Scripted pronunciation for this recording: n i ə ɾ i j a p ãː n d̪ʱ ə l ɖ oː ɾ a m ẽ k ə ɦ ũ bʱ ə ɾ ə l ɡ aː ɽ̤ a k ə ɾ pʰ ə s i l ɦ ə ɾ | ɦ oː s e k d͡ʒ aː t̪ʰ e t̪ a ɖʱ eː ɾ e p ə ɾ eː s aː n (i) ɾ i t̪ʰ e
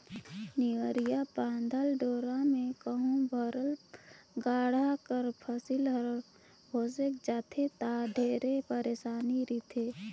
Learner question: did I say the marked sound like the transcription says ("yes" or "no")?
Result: yes